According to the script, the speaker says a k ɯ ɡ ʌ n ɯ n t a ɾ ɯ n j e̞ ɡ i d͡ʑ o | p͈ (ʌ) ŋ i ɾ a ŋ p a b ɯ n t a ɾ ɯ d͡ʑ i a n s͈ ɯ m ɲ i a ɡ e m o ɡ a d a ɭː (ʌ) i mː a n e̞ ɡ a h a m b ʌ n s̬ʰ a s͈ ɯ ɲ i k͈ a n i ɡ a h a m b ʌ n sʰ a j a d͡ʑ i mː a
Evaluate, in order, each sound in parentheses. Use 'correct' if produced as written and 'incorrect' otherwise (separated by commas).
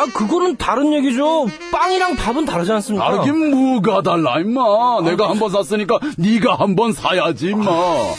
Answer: incorrect, incorrect